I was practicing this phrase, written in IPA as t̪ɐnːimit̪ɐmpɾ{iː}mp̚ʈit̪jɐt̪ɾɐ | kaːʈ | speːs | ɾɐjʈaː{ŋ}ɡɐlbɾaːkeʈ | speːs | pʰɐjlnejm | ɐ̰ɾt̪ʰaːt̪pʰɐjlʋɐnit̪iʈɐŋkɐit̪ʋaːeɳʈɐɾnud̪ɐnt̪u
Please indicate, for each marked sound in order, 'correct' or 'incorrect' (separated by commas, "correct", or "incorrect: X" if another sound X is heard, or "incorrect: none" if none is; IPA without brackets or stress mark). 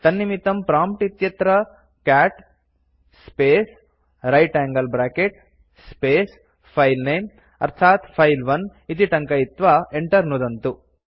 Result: incorrect: aː, correct